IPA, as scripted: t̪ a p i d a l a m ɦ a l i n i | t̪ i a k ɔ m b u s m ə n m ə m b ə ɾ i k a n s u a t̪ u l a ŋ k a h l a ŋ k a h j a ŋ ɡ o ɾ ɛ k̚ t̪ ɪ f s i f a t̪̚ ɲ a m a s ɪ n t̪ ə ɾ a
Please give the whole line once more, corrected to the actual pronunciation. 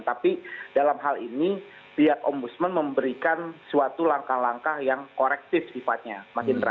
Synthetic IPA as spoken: t̪ a p i d a l a m ɦ a l i n i | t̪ i a k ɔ m b u s m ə n m ə m b ə ɾ i k a n s u a t̪ u l a ŋ k a h l a ŋ k a h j a ŋ k o ɾ ɛ k̚ t̪ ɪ f s i f a t̪̚ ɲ a m a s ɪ n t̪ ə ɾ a